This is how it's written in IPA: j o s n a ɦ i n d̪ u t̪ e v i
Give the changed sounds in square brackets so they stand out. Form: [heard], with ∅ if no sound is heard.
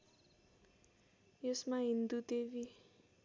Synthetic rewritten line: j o s [m] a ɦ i n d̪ u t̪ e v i